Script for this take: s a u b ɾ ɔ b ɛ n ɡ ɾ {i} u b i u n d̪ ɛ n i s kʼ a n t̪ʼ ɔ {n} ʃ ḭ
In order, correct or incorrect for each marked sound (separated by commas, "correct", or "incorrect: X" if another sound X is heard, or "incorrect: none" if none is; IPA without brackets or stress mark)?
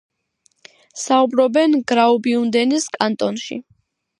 incorrect: a, correct